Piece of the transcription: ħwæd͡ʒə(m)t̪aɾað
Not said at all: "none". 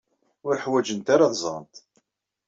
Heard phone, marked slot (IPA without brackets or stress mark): n